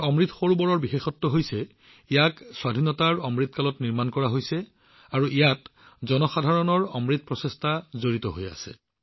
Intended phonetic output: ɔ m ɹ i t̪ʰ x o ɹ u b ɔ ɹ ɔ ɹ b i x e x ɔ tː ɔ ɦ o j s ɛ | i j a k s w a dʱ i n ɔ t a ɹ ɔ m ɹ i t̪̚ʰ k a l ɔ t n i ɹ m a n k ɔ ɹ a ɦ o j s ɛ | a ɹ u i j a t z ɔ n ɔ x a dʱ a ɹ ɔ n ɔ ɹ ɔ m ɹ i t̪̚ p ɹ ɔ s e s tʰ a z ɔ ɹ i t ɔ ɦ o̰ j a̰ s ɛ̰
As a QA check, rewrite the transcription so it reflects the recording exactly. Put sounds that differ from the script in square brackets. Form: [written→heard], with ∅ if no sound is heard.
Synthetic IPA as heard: ɔ m ɹ i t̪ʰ x o ɹ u b ɔ ɹ ɔ ɹ b i x e x ɔ tː ɔ ɦ o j s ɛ | i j a k s w a dʱ i n ɔ t a ɹ ɔ m ɹ i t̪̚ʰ k a l ɔ t n i ɹ m a n k ɔ ɹ a ɦ o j s ɛ | a ɹ u i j a t z ɔ n ɔ x a dʱ a ɹ ɔ n ɔ ɹ ɔ m ɹ i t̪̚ p ɹ ɔ s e s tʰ a z [ɔ→o] ɹ i t ɔ ɦ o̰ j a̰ s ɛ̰

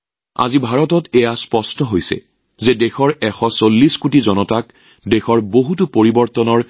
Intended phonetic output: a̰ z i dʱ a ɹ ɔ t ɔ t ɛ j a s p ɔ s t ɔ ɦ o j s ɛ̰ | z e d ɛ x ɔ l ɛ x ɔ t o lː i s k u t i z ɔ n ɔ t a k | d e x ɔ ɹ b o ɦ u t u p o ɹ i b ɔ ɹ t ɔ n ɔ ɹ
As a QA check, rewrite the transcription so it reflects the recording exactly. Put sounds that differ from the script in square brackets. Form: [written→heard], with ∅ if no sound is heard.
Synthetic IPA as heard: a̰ z i [dʱ→bʱ] a ɹ ɔ t ɔ t ɛ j a s p ɔ s t ɔ ɦ o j s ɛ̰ | z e d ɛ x ɔ [l→ɹ] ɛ x ɔ [t→s] o lː i s k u t i z ɔ n ɔ t a k | d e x ɔ ɹ b o ɦ u t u p o ɹ i b ɔ ɹ t ɔ n ɔ ɹ

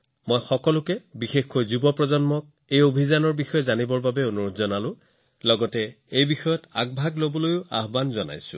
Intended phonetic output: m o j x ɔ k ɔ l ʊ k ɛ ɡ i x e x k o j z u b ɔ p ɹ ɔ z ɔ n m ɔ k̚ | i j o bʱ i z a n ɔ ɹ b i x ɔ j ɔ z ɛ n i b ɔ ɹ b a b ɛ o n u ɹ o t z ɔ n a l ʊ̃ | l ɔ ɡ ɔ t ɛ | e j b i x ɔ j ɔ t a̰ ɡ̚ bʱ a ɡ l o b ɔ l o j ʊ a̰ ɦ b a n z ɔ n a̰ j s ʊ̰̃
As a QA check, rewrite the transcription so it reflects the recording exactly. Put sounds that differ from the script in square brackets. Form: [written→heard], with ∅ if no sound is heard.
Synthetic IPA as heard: m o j x ɔ k ɔ l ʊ k ɛ [ɡ→b] i x e x k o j z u b ɔ p ɹ ɔ z ɔ n m ɔ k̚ | [i→e] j o bʱ i z a n ɔ ɹ b i x ɔ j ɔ z [ɛ→a] n i b ɔ ɹ b a b ɛ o n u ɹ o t z ɔ n a l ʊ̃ | l ɔ ɡ ɔ t ɛ | e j b i x ɔ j ɔ t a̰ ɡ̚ bʱ a ɡ l o b ɔ l o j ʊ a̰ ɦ b a n z ɔ n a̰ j s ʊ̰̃

